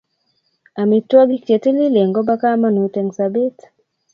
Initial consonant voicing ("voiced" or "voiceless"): voiced